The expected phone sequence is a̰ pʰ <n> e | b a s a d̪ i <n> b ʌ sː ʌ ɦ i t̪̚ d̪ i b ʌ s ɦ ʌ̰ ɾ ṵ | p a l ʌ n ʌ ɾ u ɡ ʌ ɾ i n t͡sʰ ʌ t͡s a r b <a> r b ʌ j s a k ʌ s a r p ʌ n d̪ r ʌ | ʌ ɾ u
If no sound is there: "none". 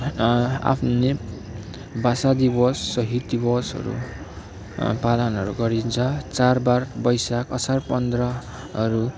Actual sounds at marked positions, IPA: n, none, a

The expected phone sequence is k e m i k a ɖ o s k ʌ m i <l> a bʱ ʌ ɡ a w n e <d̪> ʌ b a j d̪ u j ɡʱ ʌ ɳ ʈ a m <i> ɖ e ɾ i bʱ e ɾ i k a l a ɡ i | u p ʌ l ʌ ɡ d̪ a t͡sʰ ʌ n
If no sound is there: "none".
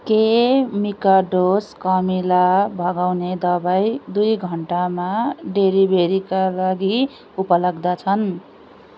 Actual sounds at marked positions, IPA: l, d̪, a

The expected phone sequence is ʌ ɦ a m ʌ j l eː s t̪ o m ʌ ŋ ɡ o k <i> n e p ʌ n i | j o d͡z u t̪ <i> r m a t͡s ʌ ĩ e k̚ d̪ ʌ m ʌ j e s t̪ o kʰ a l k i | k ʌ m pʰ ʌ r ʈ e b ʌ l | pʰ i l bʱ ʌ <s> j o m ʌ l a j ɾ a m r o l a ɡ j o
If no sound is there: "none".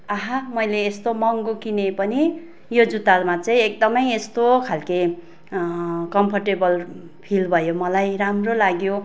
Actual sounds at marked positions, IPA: i, a, none

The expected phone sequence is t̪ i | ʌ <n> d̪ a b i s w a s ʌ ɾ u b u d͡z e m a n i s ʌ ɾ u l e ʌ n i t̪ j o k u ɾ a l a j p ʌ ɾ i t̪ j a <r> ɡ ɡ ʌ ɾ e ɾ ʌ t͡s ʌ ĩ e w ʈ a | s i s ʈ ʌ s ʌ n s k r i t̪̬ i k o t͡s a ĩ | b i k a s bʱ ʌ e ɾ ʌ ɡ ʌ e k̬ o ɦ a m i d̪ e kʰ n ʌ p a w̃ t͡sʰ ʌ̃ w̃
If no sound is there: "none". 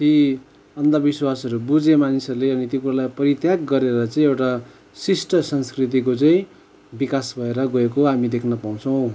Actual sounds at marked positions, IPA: n, none

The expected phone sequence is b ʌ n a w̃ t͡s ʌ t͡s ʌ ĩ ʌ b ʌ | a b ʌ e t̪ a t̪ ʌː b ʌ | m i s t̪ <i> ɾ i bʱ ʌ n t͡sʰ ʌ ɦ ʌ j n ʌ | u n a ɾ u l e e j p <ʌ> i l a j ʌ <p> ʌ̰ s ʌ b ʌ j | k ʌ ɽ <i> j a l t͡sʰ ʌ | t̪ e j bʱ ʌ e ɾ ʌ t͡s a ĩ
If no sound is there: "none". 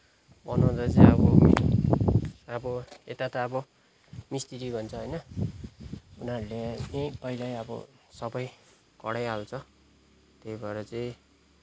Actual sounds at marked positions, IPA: i, ʌ, b, a

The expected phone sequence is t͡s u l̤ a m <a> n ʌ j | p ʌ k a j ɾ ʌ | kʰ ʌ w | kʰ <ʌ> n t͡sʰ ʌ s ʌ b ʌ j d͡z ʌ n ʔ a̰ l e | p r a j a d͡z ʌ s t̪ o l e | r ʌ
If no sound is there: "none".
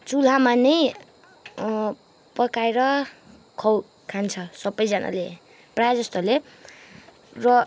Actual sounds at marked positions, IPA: a, a

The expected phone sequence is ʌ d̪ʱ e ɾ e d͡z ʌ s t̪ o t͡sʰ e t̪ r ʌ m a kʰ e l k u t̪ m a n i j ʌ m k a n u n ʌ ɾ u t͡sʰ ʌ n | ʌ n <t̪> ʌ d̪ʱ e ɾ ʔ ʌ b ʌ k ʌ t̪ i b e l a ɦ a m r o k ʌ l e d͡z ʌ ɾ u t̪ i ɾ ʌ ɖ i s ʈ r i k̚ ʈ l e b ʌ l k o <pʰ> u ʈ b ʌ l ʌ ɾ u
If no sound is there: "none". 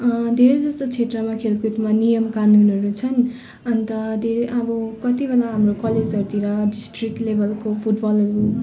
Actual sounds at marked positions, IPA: t̪, pʰ

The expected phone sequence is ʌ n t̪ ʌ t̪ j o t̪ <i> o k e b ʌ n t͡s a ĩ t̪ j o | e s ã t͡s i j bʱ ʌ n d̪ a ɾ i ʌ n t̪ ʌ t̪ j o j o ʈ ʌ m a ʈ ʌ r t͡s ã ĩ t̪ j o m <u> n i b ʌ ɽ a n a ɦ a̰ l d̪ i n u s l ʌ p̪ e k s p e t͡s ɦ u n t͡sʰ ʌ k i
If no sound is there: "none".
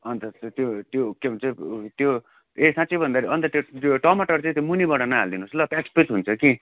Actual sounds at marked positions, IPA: j, u

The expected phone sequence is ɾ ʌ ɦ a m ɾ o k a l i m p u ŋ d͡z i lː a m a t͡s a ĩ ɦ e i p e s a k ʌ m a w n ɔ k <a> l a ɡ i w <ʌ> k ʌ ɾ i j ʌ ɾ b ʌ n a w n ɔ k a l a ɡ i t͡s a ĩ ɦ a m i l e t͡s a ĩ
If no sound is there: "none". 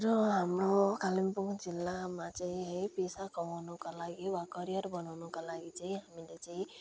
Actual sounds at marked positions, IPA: a, a

